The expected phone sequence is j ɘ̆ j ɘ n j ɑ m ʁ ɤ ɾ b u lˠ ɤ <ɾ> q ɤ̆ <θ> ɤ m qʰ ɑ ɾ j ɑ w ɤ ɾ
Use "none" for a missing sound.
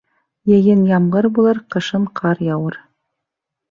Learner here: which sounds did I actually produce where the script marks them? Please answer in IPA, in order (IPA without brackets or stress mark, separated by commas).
ɾ, ʃ